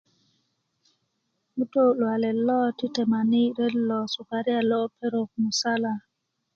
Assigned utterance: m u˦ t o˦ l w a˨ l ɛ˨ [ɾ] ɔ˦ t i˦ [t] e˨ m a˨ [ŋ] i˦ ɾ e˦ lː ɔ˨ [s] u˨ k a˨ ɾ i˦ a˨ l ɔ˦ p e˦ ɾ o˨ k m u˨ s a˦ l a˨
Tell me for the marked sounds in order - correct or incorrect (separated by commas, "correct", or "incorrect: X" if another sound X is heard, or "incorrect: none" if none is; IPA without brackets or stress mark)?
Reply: incorrect: l, correct, incorrect: n, correct